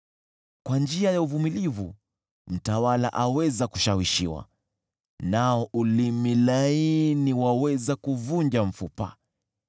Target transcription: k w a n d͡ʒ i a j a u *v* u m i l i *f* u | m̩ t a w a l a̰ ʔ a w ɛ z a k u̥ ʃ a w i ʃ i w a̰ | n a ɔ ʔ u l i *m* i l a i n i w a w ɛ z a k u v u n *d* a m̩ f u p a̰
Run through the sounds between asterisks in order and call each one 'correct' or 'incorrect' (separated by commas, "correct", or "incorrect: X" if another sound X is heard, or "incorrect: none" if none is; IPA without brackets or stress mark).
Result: correct, incorrect: v, correct, incorrect: d͡ʒ